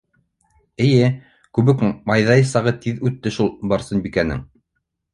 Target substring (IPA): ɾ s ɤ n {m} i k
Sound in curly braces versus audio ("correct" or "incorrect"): incorrect